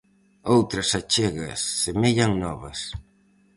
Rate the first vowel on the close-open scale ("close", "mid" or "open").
mid